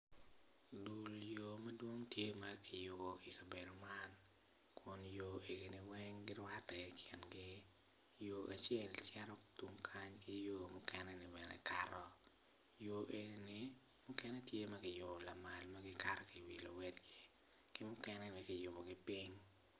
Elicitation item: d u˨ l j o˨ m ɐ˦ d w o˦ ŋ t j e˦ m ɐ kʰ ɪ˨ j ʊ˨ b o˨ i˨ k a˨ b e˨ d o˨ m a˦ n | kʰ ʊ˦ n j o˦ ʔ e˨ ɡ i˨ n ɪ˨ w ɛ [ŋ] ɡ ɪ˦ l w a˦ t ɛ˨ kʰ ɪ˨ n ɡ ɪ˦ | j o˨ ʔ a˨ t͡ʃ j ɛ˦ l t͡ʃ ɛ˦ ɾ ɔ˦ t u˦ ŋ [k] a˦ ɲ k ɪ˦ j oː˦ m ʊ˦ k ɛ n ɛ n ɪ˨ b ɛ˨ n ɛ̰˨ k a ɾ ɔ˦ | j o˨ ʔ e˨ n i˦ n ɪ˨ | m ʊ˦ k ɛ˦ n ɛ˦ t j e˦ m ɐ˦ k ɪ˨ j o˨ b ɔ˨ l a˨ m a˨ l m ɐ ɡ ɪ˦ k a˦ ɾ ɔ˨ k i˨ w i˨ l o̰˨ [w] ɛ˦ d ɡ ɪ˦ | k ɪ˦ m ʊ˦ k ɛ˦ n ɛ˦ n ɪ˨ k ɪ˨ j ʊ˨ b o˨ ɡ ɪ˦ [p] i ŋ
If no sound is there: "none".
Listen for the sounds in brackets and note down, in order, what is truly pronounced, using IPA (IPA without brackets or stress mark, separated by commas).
ŋ, kʰ, w, p